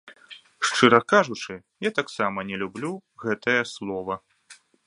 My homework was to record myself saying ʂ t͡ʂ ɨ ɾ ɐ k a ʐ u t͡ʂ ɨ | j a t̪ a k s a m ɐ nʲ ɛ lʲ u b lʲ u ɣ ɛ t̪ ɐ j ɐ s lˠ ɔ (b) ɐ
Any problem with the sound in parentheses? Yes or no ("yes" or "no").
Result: yes